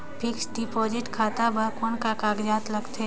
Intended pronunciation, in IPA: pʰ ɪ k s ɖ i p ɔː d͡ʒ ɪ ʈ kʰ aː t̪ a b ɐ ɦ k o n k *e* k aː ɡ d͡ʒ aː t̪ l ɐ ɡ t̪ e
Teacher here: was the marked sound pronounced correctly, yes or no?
no